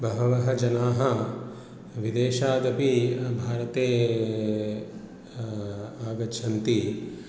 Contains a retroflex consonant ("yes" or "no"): no